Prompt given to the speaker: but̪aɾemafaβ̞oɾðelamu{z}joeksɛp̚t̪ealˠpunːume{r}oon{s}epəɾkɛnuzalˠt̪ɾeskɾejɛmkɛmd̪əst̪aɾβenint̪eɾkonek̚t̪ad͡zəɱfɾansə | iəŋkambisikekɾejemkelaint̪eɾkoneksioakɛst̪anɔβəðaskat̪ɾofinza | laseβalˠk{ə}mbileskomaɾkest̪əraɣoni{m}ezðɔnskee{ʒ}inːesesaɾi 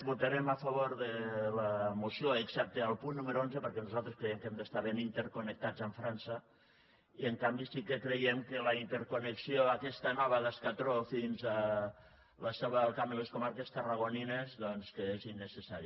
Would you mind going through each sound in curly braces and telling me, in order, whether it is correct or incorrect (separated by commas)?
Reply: incorrect, incorrect, incorrect, incorrect, incorrect, incorrect